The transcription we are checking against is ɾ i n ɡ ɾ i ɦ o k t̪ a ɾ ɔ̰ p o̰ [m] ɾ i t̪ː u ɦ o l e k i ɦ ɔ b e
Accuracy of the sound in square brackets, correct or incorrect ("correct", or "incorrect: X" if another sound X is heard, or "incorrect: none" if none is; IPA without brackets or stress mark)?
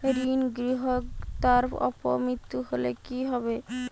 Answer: correct